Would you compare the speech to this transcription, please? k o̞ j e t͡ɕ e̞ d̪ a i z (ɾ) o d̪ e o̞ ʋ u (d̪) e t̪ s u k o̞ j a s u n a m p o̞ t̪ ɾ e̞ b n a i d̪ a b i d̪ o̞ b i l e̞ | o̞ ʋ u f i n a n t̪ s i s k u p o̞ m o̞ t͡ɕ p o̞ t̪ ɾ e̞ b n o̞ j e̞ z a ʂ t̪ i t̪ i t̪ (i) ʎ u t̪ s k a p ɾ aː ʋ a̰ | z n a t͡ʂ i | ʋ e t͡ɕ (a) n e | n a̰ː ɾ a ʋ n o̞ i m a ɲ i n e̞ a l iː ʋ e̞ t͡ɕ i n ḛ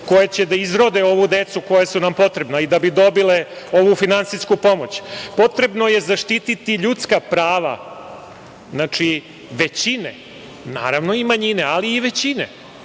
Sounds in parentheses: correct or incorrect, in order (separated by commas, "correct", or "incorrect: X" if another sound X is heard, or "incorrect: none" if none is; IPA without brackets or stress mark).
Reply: correct, correct, correct, incorrect: i